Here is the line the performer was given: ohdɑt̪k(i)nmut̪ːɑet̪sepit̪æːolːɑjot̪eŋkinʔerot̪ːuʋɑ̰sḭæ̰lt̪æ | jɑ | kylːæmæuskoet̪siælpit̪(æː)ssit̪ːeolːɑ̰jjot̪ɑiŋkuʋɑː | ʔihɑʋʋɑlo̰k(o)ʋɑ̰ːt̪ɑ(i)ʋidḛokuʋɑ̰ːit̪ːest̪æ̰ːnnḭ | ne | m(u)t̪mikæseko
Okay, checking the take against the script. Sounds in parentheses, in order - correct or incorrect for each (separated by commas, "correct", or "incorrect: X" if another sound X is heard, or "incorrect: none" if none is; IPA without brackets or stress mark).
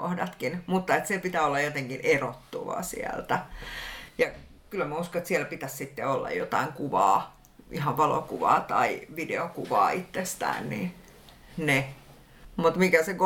correct, incorrect: æ, incorrect: u, correct, correct